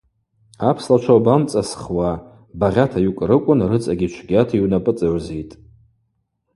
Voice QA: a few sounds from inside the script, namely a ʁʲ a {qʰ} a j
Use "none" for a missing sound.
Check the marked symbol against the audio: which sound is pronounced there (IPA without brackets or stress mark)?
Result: tʰ